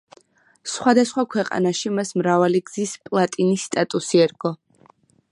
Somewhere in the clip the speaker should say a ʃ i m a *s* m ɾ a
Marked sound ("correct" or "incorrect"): correct